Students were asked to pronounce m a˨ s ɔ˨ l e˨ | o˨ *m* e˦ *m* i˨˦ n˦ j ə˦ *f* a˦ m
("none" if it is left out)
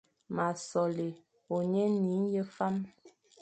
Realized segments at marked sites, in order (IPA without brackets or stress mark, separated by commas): ɲ, n, f